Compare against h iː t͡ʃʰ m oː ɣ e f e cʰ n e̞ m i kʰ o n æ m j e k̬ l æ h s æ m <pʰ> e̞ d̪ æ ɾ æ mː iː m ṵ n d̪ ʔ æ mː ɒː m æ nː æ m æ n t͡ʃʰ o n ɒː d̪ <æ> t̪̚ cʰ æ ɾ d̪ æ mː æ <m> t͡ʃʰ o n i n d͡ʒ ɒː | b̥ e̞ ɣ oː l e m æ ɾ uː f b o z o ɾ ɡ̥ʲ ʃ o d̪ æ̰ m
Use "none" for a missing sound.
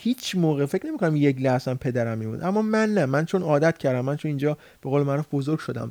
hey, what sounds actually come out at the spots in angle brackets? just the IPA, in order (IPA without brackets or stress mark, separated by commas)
pʰ, æ, n